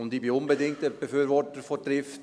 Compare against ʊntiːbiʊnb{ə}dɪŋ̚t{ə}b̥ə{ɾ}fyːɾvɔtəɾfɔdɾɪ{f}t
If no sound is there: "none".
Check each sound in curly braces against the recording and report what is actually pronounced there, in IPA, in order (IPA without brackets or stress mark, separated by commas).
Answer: ə, ə, none, f